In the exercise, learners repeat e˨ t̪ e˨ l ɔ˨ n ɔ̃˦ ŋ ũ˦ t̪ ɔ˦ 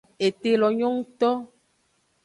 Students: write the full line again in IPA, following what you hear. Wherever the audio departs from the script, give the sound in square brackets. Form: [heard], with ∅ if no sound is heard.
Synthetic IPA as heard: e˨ t̪ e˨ l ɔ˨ [ɲ] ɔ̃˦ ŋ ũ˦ t̪ ɔ˦

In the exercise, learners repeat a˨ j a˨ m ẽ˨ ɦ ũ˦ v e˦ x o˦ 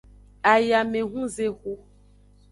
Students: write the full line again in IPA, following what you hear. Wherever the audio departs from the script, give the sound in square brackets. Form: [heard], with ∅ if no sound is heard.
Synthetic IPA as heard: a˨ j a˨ m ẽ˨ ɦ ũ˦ [z] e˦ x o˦

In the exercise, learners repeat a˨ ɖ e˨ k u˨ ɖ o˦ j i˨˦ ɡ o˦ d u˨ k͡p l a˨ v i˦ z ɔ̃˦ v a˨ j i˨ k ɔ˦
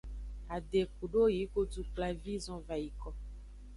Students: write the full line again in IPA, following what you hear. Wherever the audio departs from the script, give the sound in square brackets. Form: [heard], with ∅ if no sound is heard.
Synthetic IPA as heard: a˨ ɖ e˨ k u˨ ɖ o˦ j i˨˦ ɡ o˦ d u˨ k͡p l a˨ v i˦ z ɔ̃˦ v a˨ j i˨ k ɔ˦

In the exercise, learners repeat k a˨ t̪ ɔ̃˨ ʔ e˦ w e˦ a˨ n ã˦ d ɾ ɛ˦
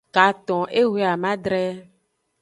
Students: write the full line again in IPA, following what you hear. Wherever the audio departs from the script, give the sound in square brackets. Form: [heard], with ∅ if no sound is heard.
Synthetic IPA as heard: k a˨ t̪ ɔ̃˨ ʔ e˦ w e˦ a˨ [m] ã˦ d ɾ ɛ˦

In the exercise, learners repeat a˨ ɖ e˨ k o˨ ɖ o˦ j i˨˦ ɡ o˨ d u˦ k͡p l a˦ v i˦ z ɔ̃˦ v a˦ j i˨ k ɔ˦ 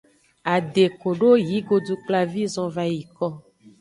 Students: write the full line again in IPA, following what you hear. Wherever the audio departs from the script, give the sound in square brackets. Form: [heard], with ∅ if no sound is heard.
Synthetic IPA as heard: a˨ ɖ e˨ k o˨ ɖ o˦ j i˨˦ ɡ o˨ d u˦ k͡p l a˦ v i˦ z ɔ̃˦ v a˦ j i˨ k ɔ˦

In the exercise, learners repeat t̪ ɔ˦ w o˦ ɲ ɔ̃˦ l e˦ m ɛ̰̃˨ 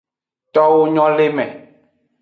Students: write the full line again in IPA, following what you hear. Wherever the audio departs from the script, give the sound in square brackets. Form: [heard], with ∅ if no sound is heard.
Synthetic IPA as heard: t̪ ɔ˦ w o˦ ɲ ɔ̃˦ l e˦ m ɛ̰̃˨

